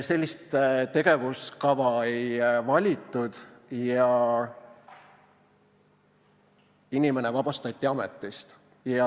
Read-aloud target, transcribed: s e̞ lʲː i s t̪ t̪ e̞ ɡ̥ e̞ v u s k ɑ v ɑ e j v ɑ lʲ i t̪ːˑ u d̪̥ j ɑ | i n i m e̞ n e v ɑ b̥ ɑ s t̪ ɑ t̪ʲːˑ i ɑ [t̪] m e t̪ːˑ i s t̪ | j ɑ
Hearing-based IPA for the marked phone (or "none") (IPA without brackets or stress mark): none